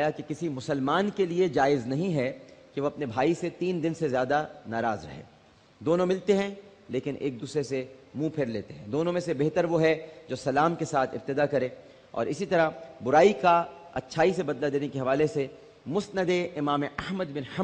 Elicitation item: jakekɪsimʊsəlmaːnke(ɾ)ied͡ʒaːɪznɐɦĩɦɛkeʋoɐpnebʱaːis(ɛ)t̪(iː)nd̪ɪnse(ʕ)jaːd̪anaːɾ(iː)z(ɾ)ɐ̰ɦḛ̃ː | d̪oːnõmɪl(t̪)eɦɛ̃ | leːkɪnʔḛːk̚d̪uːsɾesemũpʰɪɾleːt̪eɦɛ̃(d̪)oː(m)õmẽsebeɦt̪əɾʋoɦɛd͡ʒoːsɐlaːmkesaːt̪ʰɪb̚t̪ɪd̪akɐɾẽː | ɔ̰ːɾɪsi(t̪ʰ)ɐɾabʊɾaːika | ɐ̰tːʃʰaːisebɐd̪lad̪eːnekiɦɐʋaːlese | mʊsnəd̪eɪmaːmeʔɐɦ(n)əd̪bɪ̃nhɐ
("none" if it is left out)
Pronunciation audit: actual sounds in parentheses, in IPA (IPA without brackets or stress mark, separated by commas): l, e, iː, z, aː, ɾ, t̪, d̪, n, t̪, m